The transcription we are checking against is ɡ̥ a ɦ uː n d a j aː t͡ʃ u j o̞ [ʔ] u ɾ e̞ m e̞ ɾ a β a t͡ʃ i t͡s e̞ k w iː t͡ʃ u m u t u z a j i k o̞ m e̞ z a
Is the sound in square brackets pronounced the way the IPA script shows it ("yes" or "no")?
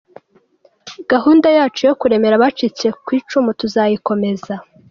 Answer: no